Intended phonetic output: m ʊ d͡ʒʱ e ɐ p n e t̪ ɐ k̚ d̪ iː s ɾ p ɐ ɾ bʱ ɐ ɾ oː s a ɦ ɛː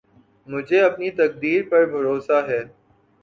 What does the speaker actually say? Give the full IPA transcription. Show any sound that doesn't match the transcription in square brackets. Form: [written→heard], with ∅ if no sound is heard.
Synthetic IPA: m ʊ d͡ʒʱ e ɐ p n [e→i] t̪ ɐ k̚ d̪ iː [s→∅] ɾ p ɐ ɾ bʱ ɐ ɾ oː s a ɦ ɛː